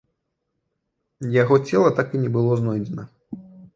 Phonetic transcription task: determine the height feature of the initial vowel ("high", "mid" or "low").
low